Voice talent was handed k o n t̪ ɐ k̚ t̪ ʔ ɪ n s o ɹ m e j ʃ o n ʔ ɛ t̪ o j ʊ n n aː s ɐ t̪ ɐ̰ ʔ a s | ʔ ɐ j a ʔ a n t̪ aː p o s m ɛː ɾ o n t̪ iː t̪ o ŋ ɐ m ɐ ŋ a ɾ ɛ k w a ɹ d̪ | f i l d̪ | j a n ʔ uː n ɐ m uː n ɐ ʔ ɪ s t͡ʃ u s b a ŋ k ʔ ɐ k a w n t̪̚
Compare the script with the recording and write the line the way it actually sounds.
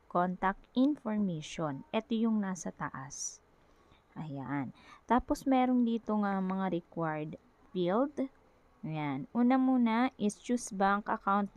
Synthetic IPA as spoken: k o n t̪ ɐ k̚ t̪ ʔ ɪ n f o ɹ m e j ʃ o n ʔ ɛ t̪ o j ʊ ŋ n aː s ɐ t̪ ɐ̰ ʔ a s | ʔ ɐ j a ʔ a n t̪ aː p o s m ɛː ɾ o n d̪ iː t̪ o ŋ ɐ m ɐ ŋ a ɾ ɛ k w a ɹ d̪ | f i l d̪ | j a n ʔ uː n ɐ m uː n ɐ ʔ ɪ s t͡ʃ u s b a ŋ k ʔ ɐ k a w n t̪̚